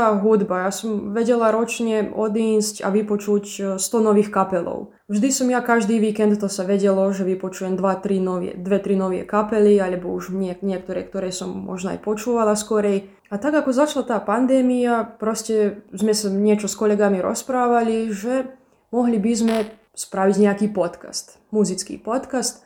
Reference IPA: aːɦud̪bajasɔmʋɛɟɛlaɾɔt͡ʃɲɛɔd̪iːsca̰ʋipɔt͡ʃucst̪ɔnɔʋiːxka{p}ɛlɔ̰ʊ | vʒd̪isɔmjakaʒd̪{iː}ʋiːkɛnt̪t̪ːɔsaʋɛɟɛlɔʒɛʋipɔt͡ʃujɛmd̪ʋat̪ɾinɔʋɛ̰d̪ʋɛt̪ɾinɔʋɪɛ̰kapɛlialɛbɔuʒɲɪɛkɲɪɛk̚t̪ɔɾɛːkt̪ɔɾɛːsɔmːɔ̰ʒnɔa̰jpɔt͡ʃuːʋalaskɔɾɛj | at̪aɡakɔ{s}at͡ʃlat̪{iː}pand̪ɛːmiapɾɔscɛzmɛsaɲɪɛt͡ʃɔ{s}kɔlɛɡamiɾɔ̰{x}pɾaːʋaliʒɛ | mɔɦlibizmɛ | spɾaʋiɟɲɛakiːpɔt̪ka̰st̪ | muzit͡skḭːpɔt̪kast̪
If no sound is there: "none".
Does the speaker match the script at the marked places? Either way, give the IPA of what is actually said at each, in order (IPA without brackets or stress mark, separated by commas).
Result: p, iː, z, aː, s, s